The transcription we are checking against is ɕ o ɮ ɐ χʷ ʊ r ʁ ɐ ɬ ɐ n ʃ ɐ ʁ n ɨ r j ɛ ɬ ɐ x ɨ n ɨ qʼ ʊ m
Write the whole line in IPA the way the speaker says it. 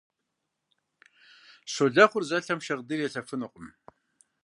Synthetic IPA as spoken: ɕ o ɮ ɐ χʷ ʊ r z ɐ ɬ ɐ m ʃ ɐ ʁ d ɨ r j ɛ ɬ ɐ f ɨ n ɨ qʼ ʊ m